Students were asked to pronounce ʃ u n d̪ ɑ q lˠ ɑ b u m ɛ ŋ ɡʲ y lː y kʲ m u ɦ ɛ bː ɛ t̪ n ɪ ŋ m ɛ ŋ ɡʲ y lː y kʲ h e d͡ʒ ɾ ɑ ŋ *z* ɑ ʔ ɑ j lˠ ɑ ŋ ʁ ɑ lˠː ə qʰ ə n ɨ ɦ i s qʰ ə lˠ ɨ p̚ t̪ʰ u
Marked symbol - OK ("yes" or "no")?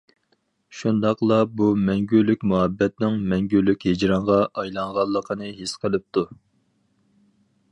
no